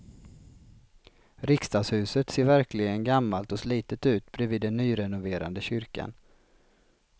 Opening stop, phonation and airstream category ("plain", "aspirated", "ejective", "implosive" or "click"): plain